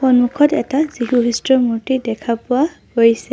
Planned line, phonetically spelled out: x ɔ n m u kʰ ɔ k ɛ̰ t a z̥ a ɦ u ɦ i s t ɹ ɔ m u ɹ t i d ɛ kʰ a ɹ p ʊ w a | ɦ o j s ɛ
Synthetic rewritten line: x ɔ n m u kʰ ɔ t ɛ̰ t a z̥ i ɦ u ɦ i s t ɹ ɔ m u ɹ t i d ɛ kʰ a p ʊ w a | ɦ o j s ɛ